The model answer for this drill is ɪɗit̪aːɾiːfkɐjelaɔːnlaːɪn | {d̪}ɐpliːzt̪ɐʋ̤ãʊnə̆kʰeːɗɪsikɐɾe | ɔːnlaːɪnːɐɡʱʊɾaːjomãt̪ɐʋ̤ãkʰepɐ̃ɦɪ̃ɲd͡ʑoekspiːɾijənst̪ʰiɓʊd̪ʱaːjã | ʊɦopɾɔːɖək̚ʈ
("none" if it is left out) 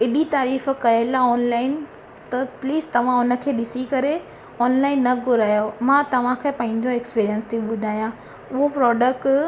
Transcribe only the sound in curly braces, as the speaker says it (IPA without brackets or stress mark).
t̪